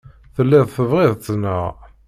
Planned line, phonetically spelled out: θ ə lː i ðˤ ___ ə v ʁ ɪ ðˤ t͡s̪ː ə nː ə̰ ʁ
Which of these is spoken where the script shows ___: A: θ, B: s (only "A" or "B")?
A